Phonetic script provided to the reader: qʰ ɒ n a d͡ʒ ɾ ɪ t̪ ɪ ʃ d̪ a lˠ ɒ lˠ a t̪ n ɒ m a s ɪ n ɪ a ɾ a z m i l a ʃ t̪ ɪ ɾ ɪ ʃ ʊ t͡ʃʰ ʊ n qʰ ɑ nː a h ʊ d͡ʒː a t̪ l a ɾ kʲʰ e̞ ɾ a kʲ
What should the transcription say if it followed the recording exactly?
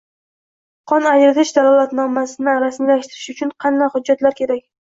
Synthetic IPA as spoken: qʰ ɒ n a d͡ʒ ɾ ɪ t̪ ɪ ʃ d̪ a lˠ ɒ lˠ a t̪ n ɒ m a s ɪ n ɪ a ɾ a s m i l a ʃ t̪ ɪ ɾ ɪ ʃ ʊ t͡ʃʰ ʊ n qʰ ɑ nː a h ʊ d͡ʒː a t̪ l a ɾ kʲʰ e̞ ɾ a kʲ